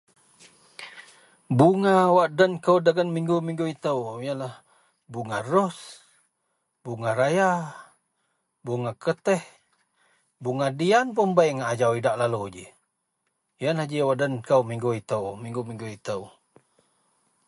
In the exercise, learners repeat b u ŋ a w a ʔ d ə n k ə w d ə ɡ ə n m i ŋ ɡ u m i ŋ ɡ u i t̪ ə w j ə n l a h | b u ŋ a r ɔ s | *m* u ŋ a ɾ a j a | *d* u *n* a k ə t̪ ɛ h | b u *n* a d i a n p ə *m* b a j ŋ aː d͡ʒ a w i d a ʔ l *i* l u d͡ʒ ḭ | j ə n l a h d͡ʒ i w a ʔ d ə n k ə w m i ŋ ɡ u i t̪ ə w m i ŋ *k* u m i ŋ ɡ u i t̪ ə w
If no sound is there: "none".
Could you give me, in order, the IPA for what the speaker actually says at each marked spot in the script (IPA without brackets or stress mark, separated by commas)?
b, b, ŋ, ŋ, m, a, ɡ